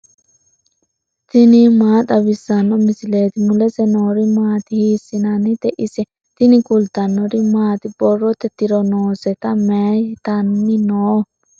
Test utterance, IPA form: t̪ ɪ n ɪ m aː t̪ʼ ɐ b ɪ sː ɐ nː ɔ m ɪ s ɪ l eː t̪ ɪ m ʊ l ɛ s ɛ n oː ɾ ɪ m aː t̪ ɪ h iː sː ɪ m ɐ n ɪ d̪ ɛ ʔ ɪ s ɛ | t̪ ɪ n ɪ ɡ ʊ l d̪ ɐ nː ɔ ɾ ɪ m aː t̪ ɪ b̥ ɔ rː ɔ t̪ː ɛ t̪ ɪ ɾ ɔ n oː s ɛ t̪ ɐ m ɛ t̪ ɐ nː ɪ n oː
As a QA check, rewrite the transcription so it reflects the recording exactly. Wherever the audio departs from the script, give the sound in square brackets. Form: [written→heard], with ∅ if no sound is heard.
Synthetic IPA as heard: t̪ ɪ n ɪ m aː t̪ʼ ɐ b ɪ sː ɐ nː ɔ m ɪ s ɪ l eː t̪ ɪ m ʊ l ɛ s ɛ n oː ɾ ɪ m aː t̪ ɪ h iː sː ɪ [m→n] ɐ n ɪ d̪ ɛ ʔ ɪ s ɛ | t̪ ɪ n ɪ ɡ ʊ l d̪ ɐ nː ɔ ɾ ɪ m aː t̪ ɪ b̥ ɔ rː ɔ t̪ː ɛ t̪ ɪ ɾ ɔ n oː s ɛ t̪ ɐ m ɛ t̪ ɐ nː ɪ n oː